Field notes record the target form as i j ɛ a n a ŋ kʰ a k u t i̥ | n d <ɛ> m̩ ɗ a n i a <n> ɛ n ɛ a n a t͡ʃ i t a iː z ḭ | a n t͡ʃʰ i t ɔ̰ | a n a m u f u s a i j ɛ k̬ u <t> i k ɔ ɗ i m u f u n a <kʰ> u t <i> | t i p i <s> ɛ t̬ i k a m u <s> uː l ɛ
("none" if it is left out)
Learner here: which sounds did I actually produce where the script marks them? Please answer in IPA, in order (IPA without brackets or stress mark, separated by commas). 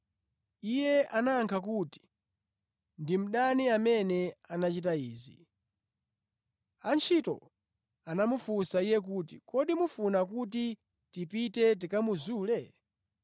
i, m, t, k, i, t, z